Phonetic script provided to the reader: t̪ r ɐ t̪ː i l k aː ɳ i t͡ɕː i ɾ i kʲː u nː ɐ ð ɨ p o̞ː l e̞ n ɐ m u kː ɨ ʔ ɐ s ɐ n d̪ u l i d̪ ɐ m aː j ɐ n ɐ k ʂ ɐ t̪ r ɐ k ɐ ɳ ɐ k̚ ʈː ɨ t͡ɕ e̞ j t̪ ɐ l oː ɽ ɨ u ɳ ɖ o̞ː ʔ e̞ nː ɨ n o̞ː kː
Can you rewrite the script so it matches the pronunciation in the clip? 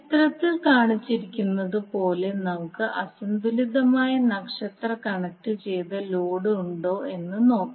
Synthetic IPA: t̪ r ɐ t̪ː i l k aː ɳ i t͡ɕː i ɾ i kʲː u nː ɐ ð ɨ p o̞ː l e̞ n ɐ m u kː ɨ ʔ ɐ s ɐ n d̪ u l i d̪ ɐ m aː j ɐ n ɐ k ʂ ɐ t̪ r ɐ k ɐ ɳ ɐ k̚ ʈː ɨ t͡ɕ e̞ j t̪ ɐ l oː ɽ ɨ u ɳ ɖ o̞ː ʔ e̞ nː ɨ n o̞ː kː